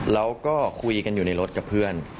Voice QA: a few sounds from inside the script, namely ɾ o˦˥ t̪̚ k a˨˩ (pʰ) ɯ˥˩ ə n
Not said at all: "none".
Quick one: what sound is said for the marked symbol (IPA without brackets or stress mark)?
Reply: pʰ